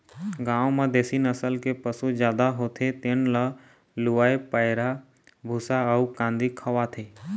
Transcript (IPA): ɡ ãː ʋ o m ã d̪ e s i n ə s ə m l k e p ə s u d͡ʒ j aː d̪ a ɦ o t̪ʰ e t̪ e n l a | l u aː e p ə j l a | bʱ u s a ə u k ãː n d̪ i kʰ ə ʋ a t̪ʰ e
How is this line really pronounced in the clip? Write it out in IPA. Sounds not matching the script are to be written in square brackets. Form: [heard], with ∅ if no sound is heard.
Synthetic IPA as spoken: ɡ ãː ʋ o m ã d̪ e s i n ə s ə [∅] l k e p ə s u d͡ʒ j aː d̪ a ɦ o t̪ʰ e t̪ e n l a | l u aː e p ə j [ɾ] a | bʱ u s a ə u k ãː n d̪ i kʰ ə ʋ a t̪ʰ e